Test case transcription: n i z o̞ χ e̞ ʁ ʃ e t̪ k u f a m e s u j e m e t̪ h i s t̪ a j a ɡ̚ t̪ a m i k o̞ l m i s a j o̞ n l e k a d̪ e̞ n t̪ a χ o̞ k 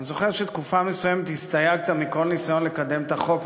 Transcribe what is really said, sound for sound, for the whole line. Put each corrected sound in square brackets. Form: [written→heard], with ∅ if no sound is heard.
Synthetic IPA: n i z o̞ χ e̞ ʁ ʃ e t̪ k u f a m e s u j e m e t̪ h i s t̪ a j a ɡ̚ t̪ a m i k o̞ l [m→n] i s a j o̞ n l e k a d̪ e̞ [n→m] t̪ a χ o̞ k